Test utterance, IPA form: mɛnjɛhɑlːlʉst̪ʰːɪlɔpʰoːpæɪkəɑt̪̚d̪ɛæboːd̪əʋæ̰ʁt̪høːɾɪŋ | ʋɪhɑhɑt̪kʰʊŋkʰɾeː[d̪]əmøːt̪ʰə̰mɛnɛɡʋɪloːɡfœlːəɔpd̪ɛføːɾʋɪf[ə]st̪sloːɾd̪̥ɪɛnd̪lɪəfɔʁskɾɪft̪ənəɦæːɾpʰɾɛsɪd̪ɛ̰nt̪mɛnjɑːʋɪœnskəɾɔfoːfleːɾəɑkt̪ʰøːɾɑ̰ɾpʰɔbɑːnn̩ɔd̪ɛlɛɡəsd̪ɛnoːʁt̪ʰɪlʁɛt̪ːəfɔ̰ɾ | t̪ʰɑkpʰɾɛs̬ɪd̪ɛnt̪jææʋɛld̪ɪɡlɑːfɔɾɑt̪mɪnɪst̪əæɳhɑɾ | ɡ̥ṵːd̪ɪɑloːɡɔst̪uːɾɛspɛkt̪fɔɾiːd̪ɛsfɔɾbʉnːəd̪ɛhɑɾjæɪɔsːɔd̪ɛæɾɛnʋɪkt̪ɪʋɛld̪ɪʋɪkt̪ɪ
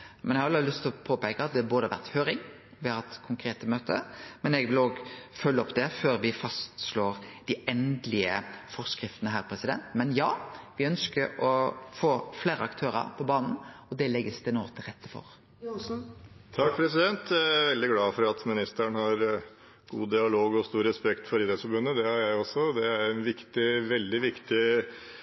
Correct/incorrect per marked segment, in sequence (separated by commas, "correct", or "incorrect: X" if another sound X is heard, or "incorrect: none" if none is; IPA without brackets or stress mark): incorrect: t̪, incorrect: ɑ